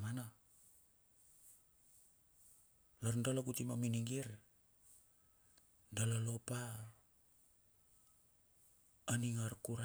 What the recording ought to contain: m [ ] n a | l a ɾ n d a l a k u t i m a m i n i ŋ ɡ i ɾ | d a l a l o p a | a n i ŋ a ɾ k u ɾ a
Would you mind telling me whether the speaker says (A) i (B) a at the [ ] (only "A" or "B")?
B